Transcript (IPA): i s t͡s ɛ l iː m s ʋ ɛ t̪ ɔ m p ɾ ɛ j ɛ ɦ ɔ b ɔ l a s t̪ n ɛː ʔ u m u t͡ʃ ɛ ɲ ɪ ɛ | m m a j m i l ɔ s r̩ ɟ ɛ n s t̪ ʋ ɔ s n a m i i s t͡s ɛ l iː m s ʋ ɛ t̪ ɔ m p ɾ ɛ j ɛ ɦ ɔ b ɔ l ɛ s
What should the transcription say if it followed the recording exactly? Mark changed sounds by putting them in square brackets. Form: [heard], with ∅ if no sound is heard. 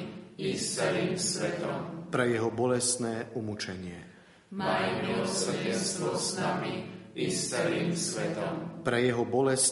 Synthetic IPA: i s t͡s ɛ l iː m s ʋ ɛ t̪ ɔ m p ɾ ɛ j ɛ ɦ ɔ b ɔ l [ɛ] s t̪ n ɛː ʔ u m u t͡ʃ ɛ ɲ ɪ ɛ | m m a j m i l ɔ s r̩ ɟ ɛ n s t̪ ʋ ɔ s n a m i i s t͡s ɛ l iː m s ʋ ɛ t̪ ɔ m p ɾ ɛ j ɛ ɦ ɔ b ɔ l ɛ s